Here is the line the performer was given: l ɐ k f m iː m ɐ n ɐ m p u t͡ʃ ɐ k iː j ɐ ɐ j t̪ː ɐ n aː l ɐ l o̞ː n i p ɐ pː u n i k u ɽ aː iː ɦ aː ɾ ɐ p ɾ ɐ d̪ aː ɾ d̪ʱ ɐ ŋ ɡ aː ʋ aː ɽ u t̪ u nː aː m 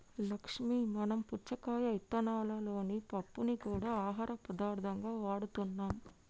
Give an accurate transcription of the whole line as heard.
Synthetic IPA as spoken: l ɐ k ʂ m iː m ɐ n ɐ m p u t͡ʃ ɐ k aː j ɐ ɐ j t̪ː ɐ n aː l ɐ l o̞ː n i p ɐ pː u n i k uː ɽ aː aː ɦ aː ɾ ɐ p ɾ ɐ d̪ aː ɾ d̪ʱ ɐ ŋ ɡ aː ʋ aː ɽ u t̪ u nː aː m